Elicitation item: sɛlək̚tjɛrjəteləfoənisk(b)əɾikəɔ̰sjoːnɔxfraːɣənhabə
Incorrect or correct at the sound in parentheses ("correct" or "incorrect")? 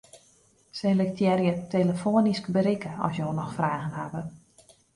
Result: correct